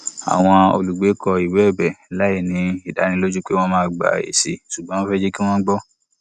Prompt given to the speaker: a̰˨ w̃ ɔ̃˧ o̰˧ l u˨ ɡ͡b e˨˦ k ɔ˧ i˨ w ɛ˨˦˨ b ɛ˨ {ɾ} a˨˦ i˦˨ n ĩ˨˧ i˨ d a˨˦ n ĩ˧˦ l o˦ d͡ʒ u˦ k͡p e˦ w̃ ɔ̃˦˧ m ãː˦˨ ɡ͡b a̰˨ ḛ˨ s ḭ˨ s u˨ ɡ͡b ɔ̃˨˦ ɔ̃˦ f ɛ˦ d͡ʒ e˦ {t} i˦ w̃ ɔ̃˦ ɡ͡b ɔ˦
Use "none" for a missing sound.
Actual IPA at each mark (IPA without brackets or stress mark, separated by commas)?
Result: l, k